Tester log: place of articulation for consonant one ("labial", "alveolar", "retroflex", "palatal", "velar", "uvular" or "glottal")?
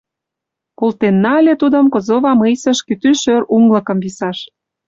velar